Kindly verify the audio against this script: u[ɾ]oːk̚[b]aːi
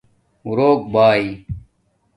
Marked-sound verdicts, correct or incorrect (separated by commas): correct, correct